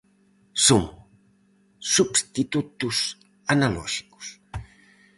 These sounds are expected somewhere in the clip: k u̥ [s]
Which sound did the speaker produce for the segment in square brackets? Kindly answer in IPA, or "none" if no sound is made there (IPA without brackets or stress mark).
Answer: s